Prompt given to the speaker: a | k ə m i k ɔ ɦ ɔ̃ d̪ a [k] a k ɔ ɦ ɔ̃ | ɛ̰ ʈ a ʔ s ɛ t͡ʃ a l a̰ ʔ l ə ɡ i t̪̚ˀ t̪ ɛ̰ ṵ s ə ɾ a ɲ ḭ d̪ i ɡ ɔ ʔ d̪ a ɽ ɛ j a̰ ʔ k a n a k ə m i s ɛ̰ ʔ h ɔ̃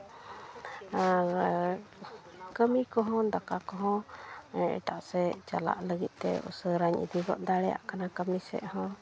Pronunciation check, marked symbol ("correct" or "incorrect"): correct